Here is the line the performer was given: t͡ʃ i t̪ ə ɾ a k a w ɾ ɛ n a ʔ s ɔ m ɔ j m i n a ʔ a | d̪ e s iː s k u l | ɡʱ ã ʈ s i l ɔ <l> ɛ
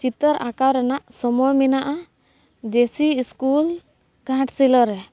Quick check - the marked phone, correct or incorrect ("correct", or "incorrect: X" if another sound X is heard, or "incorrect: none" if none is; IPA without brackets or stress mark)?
incorrect: ɾ